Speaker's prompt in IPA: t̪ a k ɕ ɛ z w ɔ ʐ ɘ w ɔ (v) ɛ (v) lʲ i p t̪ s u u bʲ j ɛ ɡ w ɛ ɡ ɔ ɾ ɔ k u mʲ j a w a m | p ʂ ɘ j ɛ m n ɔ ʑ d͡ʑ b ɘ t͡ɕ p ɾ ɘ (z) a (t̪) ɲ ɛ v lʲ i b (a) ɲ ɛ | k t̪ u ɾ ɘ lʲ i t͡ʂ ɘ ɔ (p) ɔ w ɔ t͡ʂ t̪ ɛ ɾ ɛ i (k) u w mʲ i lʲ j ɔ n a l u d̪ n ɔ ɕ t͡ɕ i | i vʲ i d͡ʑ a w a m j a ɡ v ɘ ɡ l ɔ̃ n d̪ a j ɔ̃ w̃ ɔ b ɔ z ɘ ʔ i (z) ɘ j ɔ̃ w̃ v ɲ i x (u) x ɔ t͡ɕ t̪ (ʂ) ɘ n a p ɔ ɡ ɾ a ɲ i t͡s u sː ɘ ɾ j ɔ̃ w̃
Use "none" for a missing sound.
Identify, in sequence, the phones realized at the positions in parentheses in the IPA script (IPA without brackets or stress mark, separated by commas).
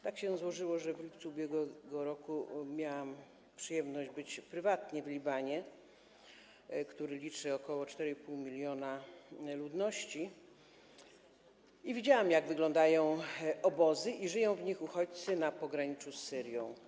ʐ, v, v, t̪, a, k, p, ʐ, u, s